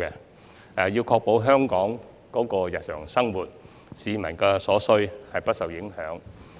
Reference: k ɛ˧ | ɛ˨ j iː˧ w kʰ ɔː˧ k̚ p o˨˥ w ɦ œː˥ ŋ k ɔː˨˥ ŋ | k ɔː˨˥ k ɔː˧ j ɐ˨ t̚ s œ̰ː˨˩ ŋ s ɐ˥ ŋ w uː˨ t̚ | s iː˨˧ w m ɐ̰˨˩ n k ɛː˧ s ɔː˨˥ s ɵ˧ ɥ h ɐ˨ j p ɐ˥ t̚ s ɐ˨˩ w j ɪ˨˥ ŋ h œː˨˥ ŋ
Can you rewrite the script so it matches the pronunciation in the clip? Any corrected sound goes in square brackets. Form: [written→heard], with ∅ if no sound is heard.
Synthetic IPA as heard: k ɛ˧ | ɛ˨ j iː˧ w kʰ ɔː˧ k̚ p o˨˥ w ɦ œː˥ ŋ k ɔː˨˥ ŋ | k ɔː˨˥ k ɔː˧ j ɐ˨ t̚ s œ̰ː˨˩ ŋ s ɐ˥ ŋ w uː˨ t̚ | s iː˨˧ [w→∅] m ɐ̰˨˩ n k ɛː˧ s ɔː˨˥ s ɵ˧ ɥ h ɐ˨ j p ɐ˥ t̚ s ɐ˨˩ w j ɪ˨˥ ŋ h œː˨˥ ŋ